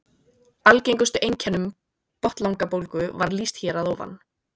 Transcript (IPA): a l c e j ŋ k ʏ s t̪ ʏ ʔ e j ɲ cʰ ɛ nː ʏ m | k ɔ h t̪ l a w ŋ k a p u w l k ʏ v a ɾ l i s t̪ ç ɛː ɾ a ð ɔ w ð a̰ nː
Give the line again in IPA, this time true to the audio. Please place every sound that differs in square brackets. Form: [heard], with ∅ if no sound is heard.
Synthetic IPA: a l c e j ŋ k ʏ s t̪ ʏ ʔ e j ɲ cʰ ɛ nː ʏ m | [p] ɔ h t̪ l a w ŋ k a p [o] w l k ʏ v a ɾ l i s t̪ ç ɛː ɾ a ð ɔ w [v] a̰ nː